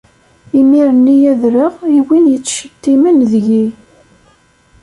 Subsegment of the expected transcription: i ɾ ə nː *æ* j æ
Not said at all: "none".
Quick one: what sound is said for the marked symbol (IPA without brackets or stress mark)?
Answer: i